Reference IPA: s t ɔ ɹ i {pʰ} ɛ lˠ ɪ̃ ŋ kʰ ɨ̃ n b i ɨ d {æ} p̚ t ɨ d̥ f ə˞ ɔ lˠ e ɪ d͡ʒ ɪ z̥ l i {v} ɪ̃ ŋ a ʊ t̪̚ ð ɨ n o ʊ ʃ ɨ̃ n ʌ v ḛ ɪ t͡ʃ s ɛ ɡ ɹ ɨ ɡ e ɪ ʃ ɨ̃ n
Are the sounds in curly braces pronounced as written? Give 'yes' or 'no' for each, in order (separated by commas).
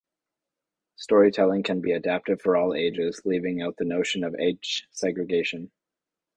no, yes, yes